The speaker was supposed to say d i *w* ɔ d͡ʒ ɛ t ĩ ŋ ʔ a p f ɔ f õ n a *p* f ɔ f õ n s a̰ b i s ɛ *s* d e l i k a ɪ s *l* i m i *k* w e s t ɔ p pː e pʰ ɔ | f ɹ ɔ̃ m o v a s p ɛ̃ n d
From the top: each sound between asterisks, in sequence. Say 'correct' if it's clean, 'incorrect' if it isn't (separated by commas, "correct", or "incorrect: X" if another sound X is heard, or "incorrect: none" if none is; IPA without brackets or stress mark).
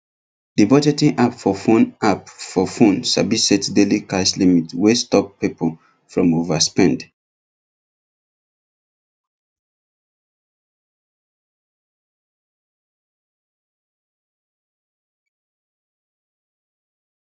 incorrect: b, correct, incorrect: t, correct, incorrect: t